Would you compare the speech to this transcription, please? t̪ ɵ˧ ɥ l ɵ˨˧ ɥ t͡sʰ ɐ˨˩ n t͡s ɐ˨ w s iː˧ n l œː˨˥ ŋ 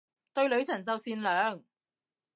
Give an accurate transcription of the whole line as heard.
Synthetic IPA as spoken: t̪ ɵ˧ ɥ l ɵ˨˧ ɥ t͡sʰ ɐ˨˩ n t͡s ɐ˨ w s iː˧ n l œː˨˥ ŋ